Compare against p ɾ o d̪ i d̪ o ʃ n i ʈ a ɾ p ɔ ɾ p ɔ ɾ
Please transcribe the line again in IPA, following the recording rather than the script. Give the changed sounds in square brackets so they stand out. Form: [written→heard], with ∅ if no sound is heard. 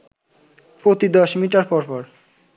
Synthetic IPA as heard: p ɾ o [d̪→t̪] i d̪ [o→ɔ] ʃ [n→m] i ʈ a ɾ p ɔ ɾ p ɔ ɾ